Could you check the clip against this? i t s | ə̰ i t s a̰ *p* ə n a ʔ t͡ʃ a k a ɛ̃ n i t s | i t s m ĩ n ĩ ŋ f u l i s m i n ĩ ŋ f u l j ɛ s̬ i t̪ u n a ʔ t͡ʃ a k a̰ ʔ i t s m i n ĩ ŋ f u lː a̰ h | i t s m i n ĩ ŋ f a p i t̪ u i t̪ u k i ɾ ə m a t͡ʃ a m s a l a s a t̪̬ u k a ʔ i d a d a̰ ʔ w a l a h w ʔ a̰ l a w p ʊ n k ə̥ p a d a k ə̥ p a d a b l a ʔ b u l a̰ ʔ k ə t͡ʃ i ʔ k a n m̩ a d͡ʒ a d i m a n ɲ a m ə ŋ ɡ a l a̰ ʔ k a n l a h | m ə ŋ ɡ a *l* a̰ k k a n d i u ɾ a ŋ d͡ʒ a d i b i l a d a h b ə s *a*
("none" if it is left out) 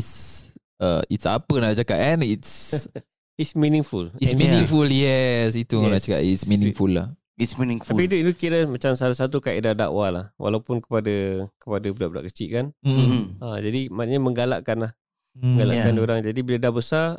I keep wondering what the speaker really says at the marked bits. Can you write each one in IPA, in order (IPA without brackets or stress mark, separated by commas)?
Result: p, l, a